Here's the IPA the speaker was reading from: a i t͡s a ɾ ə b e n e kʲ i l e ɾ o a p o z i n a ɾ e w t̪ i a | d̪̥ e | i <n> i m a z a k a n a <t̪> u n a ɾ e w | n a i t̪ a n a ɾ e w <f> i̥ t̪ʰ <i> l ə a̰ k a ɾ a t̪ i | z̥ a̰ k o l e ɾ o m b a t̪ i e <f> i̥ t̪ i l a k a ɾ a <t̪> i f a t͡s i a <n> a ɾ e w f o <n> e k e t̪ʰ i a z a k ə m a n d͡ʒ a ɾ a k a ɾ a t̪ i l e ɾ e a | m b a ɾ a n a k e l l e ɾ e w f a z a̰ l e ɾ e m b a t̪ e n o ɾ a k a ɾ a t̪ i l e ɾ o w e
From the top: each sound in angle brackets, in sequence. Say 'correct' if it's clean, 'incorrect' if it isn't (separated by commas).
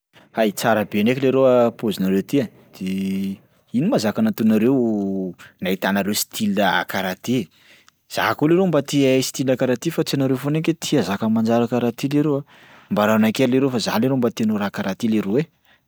correct, correct, incorrect, correct, incorrect, correct, correct, correct